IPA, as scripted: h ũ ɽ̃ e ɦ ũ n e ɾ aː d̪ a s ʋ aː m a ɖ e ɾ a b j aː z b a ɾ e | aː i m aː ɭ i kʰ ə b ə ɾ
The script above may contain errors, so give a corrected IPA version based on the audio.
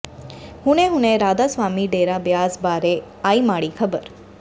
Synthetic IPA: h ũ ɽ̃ e ɦ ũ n e ɾ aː d̪ a s ʋ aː m i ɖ e ɾ a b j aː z b a ɾ e | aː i m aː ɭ i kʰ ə b ə ɾ

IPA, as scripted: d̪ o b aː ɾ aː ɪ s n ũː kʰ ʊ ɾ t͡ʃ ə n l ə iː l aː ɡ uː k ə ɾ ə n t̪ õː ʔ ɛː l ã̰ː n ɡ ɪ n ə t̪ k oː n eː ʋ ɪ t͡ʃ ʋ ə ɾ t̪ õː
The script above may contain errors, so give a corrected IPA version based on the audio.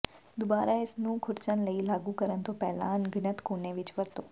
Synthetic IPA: d̪ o b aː ɾ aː ɪ s n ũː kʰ ʊ ɾ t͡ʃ ə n l ə iː l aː ɡ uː k ə ɾ ə n t̪ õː p ɛː l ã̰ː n ɡ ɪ n ə t̪ k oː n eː ʋ ɪ t͡ʃ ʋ ə ɾ t̪ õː

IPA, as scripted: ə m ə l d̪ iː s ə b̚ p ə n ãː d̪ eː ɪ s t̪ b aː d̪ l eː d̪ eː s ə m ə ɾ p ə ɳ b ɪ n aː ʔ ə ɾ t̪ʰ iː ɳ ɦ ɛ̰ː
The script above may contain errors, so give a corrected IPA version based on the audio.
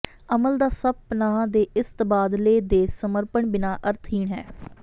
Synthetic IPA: ə m ə l d̪ aː s ə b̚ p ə n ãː d̪ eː ɪ s t̪ b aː d̪ l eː d̪ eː s ə m ə ɾ p ə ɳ b ɪ n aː ʔ ə ɾ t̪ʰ iː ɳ ɦ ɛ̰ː

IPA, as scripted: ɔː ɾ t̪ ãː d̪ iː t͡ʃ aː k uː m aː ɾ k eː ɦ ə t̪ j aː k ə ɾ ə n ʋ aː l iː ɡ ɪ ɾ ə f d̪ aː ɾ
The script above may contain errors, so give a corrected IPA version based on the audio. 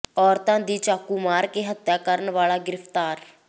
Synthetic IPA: ɔː ɾ t̪ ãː d̪ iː t͡ʃ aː k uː m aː ɾ k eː ɦ ə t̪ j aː k ə ɾ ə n ʋ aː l aː ɡ ɪ ɾ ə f t̪ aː ɾ

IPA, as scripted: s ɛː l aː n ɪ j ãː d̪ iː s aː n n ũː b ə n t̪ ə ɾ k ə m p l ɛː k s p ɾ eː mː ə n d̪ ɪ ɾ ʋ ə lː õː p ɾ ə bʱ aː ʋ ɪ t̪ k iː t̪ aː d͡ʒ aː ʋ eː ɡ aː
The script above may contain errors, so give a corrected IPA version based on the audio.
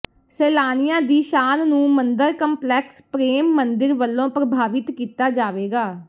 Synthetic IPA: s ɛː l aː n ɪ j ãː d̪ iː ʃ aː n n ũː m ə n d̪ ə ɾ k ə m p l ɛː k s p ɾ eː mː ə n d̪ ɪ ɾ ʋ ə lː õː p ɾ ə bʱ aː ʋ ɪ t̪ k iː t̪ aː d͡ʒ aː ʋ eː ɡ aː

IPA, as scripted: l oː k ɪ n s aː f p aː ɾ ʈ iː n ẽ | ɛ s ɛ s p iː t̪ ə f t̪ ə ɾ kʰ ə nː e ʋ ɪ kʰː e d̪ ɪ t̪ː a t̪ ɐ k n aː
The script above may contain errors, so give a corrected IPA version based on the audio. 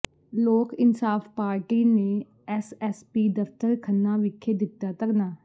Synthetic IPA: l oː k ɪ n s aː f p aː ɾ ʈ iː n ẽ | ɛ s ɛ s p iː d̪ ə f t̪ ə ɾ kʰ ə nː a ʋ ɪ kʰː e d̪ ɪ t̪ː a t̪ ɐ k n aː

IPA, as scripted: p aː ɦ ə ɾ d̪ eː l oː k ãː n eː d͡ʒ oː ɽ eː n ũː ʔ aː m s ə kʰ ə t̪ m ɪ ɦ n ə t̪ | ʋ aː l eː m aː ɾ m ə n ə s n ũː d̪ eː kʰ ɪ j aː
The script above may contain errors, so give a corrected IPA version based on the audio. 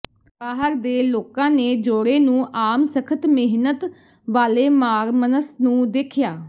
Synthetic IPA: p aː ɦ ə ɾ d̪ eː l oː k ãː n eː d͡ʒ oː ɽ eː n ũː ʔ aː m s ə kʰ ə t̪ m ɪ ɦ n ə t̪ | ʋ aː l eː m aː ɾ m ə n ə s n ũː d̪ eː kʰ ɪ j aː

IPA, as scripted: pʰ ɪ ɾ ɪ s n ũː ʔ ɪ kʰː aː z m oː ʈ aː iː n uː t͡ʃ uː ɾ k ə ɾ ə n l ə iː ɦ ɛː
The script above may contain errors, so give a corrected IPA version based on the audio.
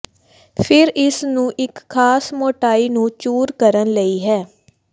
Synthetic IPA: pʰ ɪ ɾ ɪ s n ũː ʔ ɪ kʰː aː s m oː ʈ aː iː n ũː t͡ʃ uː ɾ k ə ɾ ə n l ə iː ɦ ɛː

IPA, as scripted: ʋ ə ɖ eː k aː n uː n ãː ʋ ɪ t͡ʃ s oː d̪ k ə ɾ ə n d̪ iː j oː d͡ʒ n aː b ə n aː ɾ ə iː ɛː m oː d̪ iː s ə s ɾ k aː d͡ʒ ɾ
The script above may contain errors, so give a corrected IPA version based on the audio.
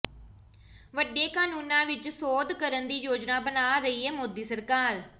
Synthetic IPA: ʋ ə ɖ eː k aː n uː n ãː ʋ ɪ t͡ʃ s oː d̪ k ə ɾ ə n d̪ iː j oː d͡ʒ n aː b ə n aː ɾ ə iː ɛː m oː d̪ iː s ə ɾ k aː ɾ

